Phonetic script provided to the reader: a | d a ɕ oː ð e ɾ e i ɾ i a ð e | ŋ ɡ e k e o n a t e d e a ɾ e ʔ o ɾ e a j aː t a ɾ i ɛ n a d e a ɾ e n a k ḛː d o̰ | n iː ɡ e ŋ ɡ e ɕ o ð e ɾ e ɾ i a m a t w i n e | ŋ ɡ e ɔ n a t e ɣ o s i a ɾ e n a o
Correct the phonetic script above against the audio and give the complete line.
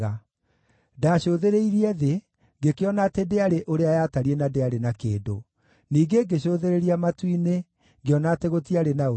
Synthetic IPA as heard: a | d a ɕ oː ð e ɾ e i ɾ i ɛ ð e | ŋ ɡ e k e ɔ n a t e d e a ɾ e ʔ o ɾ e a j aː t a ɾ i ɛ n a d e a ɾ e n a k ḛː d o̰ | n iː ɡ e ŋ ɡ e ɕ o ð e ɾ e ɾ i a m a t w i n e | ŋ ɡ e ɔ n a t e ɣ o t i a ɾ e n a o